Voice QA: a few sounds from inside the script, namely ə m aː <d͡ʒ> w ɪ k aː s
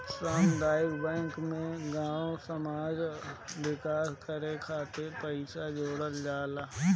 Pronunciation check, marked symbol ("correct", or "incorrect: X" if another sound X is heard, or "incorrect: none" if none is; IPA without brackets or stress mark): correct